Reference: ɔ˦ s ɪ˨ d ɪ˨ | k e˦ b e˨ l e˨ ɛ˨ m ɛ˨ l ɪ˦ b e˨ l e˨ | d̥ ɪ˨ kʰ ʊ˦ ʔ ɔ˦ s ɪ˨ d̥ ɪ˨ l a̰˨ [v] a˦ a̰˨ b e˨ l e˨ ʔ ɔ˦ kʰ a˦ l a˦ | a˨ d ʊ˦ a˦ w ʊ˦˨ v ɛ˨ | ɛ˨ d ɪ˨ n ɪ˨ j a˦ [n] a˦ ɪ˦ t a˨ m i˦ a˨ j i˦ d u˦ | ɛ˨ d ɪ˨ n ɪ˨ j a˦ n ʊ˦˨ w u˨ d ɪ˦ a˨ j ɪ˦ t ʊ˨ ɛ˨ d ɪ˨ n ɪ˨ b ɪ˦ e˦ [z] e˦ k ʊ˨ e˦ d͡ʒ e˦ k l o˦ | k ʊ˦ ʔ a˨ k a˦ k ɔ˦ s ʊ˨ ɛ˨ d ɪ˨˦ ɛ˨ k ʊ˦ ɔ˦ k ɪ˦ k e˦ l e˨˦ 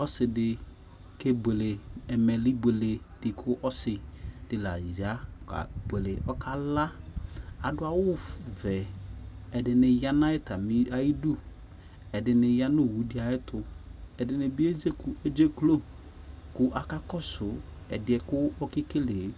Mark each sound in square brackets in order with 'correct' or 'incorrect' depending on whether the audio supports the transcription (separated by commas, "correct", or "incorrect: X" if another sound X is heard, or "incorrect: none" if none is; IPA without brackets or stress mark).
incorrect: z, correct, correct